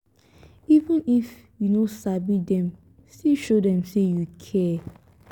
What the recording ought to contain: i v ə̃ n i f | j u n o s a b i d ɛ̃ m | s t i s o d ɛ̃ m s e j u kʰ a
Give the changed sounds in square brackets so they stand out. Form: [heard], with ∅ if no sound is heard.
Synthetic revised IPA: i v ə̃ n i f | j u n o s a b i d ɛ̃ m | s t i [ʃ] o d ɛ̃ m s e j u kʰ [ɛ]